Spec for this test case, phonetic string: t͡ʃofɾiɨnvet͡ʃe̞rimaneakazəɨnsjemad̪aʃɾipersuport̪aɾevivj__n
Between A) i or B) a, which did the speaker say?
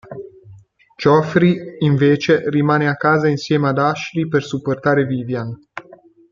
B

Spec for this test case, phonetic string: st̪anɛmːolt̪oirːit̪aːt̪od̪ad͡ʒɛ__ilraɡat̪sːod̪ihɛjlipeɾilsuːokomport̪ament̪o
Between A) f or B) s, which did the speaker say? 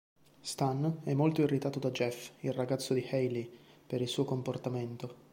A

